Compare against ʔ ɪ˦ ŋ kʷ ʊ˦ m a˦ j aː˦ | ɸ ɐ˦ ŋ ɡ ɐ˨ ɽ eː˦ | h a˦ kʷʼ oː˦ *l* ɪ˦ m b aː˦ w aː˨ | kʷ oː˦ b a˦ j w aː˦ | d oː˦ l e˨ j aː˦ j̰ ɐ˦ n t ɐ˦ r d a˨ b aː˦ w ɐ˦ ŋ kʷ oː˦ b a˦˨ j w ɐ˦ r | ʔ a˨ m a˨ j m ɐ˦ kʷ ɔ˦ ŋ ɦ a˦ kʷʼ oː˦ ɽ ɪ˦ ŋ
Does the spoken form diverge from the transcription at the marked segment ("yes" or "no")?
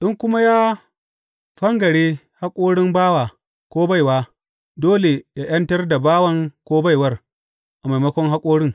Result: yes